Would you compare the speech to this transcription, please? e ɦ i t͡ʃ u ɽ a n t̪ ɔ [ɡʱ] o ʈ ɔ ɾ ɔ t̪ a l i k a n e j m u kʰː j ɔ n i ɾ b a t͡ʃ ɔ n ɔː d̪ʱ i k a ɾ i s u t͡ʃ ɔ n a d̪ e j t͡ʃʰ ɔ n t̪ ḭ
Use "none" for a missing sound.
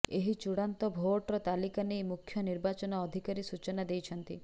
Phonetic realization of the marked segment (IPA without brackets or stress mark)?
bʱ